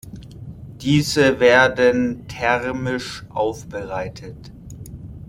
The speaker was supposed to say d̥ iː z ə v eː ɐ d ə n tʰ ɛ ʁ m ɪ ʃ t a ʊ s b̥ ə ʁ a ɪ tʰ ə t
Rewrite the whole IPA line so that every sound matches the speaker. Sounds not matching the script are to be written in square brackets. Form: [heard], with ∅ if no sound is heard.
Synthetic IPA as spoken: d̥ iː z ə v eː ɐ d ə n tʰ ɛ ʁ m ɪ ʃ [ʔ] a ʊ [f] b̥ ə ʁ a ɪ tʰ ə t